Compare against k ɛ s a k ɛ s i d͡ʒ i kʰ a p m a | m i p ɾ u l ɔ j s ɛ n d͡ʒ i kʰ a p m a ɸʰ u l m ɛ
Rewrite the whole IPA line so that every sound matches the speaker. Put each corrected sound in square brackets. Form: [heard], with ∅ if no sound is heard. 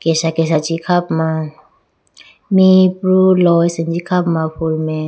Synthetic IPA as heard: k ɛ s a k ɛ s [a] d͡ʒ i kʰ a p m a | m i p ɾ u l ɔ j s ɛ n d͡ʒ i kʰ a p m a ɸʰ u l m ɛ